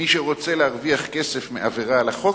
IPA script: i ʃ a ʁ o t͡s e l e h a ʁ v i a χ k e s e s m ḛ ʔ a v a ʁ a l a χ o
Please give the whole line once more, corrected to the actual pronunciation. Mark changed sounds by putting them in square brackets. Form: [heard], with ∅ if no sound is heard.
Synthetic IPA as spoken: i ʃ [e] ʁ o t͡s e l e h a ʁ v i a χ k e s e [f] m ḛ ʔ a v [e] ʁ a l a χ o

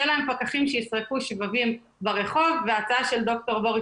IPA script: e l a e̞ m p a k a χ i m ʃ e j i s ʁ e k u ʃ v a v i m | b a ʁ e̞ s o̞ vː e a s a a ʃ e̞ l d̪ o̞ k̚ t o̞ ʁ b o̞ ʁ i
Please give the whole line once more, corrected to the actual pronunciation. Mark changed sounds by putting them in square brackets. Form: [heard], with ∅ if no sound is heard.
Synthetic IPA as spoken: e l a e̞ m p a k a χ i m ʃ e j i s ʁ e k u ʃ v a v i m | b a ʁ e̞ [χ] o̞ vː e a [t͡s] a a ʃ e̞ l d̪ o̞ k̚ t o̞ ʁ b o̞ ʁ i

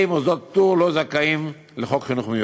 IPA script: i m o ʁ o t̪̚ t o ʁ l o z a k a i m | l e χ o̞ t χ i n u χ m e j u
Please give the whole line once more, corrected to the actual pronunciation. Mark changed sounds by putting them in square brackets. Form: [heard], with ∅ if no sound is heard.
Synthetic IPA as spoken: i m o [z] o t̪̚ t [u] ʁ l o z a k a i m | l e χ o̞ [k] χ i n u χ m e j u

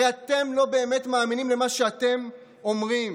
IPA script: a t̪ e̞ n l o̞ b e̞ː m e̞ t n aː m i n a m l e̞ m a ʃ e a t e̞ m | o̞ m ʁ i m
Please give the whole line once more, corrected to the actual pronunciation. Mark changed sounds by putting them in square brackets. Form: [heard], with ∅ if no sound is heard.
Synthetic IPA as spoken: a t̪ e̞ [m] l o̞ b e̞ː m e̞ t [m] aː m i n [i] m l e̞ m a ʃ e a t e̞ m | o̞ m ʁ i m

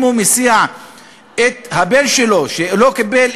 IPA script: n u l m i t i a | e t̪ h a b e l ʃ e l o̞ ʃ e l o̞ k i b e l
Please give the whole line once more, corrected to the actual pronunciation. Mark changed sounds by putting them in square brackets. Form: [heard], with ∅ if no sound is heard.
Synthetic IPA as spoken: [m] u [∅] m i [s] i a | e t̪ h a b e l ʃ e l o̞ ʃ e l o̞ k i b e l

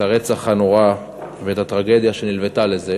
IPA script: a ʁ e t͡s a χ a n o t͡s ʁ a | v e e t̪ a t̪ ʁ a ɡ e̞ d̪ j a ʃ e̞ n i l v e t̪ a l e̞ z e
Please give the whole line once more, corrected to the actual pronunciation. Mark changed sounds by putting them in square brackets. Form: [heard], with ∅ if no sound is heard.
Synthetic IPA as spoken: a ʁ e t͡s a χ a n o [∅] ʁ a | v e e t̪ a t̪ ʁ a ɡ e̞ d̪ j a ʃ e̞ n i l v e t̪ a l e̞ z e

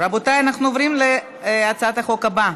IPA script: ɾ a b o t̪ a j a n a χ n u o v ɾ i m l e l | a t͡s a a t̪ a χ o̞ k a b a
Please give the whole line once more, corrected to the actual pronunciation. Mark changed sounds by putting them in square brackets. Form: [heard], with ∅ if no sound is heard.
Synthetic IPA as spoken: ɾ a b o t̪ a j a n a χ n u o v ɾ i m l e [∅] | a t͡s a a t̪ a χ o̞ k a b a

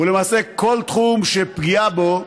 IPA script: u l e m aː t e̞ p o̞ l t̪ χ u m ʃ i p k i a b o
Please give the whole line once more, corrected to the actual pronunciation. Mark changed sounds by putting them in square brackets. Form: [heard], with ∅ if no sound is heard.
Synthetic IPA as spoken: u l e m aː [s] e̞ [k] o̞ l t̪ χ u m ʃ [e] p [ɡ] i a b o

